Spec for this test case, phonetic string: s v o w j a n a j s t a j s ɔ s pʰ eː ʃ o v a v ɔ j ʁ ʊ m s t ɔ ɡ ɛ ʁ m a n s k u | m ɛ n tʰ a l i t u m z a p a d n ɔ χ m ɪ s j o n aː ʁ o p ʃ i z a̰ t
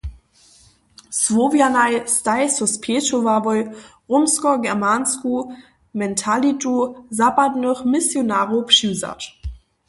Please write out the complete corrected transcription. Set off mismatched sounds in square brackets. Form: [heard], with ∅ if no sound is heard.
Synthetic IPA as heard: s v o [v] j a n a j s t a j s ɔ s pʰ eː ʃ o v a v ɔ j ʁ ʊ m s [k] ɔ ɡ ɛ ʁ m a n s k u | m ɛ n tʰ a l i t u [∅] z a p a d n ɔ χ m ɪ s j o n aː ʁ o p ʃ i z a̰ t